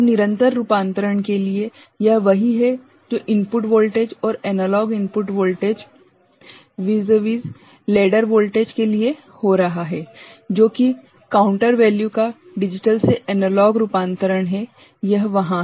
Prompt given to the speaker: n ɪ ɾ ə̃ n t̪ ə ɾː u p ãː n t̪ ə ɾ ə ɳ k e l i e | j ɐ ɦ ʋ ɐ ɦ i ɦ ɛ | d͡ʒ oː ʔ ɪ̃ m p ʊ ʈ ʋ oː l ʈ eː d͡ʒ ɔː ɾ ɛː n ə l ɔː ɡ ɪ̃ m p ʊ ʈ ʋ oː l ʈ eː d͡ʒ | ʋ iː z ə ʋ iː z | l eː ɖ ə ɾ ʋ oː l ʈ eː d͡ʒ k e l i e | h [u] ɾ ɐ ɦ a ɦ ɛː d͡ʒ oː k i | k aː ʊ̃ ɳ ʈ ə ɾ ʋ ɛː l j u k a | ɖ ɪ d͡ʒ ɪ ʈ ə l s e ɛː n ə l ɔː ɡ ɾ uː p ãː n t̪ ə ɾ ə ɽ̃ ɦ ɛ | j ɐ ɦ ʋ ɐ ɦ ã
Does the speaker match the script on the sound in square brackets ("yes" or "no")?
no